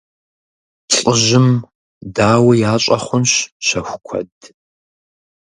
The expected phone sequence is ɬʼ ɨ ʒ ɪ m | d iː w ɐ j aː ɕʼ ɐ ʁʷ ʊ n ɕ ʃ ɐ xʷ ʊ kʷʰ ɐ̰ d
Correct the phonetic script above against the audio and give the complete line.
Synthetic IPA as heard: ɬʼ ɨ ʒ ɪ m | d aː w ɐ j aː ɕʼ ɐ χʷ ʊ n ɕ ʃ ɐ xʷ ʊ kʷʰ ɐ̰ d